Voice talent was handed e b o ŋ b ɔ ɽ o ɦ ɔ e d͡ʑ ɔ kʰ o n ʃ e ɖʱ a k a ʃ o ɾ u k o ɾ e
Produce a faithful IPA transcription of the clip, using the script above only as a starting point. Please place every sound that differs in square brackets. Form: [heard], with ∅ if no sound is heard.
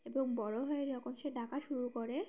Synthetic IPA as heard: e b o ŋ b ɔ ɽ o ɦ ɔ e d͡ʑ ɔ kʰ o n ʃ e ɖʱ a k a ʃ [u] ɾ u k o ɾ e